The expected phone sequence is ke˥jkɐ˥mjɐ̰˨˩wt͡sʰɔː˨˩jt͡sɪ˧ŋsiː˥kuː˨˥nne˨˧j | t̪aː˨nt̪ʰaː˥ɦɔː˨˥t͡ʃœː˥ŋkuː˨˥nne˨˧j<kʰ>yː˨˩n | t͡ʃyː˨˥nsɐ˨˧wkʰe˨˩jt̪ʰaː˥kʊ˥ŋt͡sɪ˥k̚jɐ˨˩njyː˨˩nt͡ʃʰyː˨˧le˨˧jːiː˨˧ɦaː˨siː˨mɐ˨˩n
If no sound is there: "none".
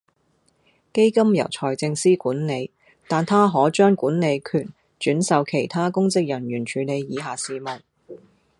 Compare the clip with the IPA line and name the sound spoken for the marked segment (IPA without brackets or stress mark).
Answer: kʰ